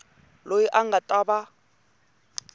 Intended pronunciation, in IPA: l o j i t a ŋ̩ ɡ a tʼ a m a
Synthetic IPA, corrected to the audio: l o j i ʔ a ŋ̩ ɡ a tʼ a b a